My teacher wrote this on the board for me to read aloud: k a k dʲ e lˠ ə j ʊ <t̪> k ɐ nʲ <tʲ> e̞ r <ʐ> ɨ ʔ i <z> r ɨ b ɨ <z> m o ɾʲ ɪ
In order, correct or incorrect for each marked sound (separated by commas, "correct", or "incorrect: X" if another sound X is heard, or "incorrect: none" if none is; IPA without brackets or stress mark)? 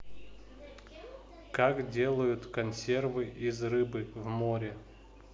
correct, incorrect: sʲ, incorrect: v, correct, incorrect: v